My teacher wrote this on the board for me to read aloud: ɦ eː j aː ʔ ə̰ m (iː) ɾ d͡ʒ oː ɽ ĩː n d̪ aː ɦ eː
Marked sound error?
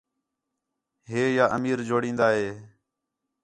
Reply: no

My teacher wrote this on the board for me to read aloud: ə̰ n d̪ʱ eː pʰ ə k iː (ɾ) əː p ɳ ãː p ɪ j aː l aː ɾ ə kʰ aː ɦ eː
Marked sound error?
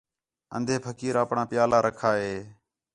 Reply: no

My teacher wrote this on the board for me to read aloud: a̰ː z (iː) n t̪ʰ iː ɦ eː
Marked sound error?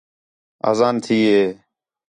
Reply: yes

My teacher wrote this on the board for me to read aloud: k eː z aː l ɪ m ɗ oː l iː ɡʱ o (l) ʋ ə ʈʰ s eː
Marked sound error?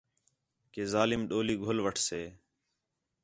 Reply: no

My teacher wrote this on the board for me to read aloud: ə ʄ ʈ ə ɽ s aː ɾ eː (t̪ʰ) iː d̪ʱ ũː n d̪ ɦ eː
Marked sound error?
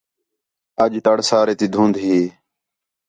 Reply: yes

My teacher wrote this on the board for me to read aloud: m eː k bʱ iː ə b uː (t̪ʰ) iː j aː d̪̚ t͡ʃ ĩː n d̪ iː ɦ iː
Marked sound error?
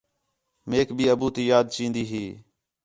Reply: yes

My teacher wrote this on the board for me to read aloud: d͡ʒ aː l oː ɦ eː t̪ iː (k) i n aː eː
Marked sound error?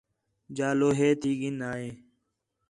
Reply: yes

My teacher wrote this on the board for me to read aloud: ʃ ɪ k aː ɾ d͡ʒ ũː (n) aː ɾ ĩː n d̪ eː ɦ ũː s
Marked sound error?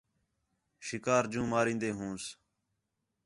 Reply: yes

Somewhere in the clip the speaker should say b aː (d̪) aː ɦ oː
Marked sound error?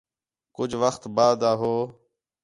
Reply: no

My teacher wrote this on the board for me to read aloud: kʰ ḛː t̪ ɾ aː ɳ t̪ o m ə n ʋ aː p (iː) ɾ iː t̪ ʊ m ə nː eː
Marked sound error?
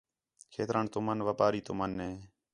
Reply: yes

